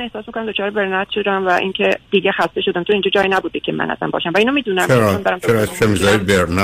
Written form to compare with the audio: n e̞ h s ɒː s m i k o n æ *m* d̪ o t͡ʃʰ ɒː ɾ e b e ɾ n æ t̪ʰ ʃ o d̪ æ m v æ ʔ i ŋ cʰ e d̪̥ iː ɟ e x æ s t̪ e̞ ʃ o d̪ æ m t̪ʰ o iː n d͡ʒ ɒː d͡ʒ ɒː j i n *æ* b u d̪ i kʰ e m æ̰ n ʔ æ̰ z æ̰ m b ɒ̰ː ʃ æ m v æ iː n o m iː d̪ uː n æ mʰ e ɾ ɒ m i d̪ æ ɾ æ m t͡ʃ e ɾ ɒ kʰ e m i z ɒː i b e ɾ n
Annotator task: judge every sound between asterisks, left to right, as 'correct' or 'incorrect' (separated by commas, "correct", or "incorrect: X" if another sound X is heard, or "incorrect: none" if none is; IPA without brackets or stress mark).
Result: correct, correct